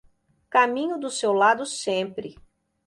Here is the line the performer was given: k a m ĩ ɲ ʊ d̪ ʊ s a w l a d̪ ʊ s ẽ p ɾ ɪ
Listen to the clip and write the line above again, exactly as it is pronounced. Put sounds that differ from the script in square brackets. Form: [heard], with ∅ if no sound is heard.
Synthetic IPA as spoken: k a m ĩ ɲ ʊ d̪ ʊ s [e] w l a d̪ ʊ s ẽ p ɾ ɪ